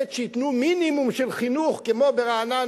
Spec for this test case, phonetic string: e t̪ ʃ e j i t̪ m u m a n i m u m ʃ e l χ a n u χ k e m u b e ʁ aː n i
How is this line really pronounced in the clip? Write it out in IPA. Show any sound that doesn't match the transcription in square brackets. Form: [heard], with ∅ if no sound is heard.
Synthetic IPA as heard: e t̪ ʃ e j i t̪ [n] u m [i] n i m u m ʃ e l χ [i] n u χ k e m [o] b e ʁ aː n [a]